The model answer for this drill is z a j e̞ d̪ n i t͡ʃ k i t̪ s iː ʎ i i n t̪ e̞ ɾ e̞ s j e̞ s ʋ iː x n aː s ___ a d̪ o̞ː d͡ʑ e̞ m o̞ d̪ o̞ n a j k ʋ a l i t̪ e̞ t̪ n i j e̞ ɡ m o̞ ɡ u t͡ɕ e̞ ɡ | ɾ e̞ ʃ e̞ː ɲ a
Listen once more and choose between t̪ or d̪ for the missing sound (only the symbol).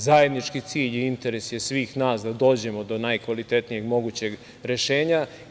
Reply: d̪